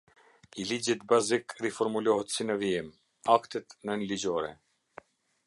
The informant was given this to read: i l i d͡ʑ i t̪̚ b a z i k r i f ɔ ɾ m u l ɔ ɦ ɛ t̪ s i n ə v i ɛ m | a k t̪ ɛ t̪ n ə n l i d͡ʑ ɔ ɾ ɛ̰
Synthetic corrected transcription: i l i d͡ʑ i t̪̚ b a z i k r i f ɔ ɾ m u l ɔ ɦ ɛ t̪ s i n ə v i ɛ m | a k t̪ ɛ t̪ n ə n l i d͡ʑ ɔ ɾ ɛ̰